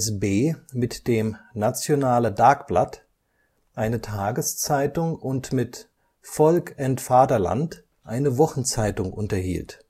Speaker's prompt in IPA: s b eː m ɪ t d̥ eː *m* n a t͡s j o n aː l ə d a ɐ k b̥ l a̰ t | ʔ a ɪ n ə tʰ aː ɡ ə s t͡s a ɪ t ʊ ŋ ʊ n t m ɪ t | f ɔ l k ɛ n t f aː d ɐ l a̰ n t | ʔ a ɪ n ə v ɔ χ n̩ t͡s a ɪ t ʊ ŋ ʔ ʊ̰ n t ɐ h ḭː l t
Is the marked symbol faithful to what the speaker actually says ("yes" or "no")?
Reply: yes